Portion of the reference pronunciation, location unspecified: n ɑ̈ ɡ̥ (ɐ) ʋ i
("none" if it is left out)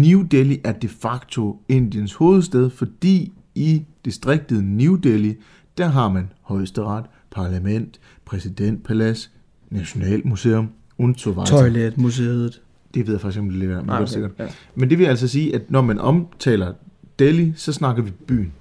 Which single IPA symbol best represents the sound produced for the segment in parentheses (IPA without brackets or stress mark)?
ɐ